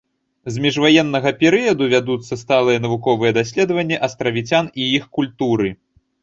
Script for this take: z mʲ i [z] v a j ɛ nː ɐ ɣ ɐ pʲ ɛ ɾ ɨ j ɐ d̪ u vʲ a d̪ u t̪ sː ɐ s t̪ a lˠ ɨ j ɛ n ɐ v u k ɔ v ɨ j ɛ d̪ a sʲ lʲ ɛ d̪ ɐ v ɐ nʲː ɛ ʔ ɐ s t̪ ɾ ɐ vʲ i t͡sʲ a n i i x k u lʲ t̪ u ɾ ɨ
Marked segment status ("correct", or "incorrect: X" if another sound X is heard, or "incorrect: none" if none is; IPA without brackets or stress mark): incorrect: ʐ